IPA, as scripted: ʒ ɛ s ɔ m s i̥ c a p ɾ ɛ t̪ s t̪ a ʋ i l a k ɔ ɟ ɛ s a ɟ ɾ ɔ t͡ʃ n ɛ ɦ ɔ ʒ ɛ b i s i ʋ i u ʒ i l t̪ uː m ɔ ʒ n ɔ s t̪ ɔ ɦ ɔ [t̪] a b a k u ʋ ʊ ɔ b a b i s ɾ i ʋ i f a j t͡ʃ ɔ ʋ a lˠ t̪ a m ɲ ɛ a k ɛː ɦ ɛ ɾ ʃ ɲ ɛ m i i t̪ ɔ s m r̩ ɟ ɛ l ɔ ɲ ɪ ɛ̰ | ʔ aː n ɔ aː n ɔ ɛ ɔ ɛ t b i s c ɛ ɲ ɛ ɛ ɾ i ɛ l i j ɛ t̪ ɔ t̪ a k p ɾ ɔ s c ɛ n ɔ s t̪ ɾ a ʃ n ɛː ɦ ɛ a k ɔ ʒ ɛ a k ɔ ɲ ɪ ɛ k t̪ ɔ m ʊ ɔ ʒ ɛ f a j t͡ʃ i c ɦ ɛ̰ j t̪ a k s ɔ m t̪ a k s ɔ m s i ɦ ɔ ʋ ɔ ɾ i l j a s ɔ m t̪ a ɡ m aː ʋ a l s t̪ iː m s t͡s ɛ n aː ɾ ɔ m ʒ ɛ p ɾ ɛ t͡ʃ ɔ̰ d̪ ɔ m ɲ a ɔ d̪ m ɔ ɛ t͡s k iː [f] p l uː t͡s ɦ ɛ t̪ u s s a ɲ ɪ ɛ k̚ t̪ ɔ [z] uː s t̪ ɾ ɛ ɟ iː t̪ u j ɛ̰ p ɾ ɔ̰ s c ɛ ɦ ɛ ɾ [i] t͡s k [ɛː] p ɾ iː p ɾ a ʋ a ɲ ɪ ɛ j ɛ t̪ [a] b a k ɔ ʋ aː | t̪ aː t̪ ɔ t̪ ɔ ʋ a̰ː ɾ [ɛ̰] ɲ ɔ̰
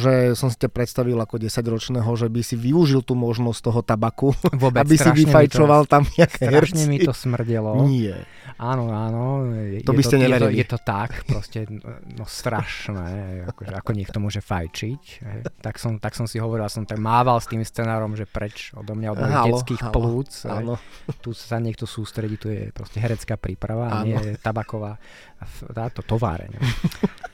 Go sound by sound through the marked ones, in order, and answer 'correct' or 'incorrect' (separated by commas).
correct, incorrect, incorrect, incorrect, incorrect, correct, correct